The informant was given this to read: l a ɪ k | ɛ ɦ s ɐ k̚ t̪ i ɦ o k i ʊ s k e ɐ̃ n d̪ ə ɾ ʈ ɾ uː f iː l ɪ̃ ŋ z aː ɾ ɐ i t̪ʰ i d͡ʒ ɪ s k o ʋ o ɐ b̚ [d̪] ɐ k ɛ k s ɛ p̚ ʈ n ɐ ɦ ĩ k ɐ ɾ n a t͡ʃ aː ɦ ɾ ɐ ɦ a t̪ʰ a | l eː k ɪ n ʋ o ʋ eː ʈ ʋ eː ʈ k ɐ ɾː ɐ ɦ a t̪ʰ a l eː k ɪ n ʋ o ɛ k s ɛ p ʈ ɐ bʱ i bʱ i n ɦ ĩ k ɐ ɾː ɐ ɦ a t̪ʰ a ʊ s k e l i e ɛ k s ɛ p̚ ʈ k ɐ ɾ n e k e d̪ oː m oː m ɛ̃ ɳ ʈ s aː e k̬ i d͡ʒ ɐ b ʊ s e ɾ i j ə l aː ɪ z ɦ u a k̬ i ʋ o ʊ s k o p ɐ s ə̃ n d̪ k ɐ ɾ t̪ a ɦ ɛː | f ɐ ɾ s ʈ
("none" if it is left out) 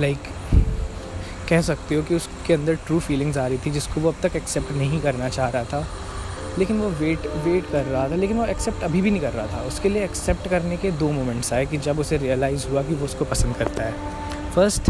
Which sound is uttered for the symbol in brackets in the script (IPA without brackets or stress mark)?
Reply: t̪